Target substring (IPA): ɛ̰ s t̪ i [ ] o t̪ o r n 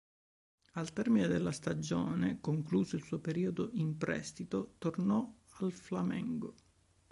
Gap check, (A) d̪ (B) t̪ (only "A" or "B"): B